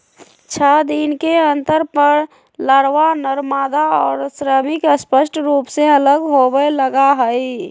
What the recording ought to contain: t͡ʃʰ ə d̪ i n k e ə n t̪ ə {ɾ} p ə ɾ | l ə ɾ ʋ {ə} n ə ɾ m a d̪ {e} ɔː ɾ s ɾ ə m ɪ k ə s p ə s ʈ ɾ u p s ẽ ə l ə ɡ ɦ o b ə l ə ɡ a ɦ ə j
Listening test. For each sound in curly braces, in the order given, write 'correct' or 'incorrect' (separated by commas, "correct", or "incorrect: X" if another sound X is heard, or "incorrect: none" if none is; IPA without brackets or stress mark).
correct, incorrect: a, incorrect: a